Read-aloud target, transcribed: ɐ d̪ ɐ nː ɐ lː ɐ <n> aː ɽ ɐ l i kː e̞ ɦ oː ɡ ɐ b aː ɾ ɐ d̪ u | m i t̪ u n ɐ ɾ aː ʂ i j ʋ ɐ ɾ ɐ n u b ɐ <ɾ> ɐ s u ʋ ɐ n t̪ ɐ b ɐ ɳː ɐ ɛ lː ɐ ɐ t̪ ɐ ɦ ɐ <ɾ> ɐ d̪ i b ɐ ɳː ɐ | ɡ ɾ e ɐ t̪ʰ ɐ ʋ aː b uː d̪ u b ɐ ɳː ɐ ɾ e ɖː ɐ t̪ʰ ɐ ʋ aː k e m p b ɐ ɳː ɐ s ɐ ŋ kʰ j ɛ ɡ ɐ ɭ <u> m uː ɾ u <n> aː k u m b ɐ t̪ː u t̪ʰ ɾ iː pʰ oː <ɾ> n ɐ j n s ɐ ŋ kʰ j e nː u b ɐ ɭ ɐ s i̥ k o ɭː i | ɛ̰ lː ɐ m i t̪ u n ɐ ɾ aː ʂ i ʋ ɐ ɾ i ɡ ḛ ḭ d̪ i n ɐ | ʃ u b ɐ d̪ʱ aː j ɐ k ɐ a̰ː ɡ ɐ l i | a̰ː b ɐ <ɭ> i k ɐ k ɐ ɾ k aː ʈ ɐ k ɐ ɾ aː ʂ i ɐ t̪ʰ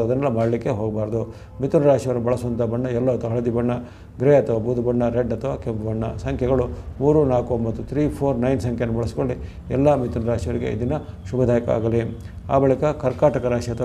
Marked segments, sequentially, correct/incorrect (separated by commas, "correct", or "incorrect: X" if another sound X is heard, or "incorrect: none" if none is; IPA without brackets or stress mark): incorrect: m, incorrect: ɭ, incorrect: ɭ, correct, correct, correct, correct